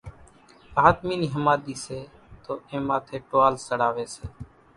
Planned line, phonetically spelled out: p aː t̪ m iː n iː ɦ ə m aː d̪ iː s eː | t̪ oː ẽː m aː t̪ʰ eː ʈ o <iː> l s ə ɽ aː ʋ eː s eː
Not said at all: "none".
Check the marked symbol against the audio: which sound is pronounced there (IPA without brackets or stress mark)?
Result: aː